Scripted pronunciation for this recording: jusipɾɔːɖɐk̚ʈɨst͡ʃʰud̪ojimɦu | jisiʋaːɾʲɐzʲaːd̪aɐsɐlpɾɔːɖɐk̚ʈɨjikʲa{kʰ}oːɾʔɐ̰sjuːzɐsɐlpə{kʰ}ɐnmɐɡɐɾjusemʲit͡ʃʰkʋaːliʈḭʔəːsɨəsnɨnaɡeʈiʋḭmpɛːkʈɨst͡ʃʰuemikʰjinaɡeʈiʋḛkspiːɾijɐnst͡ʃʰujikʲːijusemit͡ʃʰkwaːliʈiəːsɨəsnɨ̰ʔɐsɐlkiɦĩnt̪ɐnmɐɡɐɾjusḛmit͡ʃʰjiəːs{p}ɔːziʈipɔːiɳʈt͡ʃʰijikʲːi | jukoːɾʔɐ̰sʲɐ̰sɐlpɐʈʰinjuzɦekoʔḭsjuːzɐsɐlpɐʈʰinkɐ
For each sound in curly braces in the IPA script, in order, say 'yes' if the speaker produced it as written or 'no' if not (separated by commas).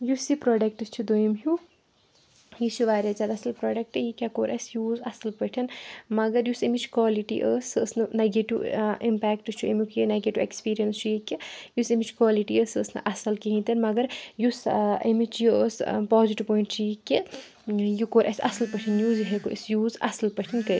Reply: no, no, yes